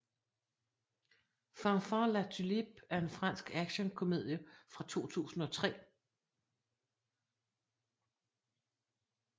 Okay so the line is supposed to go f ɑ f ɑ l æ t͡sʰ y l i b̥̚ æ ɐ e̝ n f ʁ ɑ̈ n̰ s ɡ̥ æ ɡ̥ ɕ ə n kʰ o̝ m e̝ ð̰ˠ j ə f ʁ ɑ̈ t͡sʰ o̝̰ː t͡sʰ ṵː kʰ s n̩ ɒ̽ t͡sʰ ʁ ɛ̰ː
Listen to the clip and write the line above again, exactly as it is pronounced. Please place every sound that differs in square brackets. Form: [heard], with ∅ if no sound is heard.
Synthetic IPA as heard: f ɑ f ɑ l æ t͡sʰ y l i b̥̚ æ ɐ e̝ n f ʁ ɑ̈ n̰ s ɡ̥ æ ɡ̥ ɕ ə n kʰ o̝ m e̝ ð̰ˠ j ə f ʁ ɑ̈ t͡sʰ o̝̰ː t͡sʰ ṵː [∅] s n̩ ɒ̽ t͡sʰ ʁ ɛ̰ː